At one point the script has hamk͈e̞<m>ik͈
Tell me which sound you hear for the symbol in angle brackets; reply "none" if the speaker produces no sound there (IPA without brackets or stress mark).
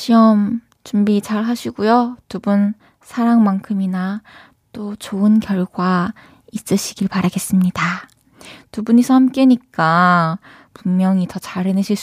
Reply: ɲ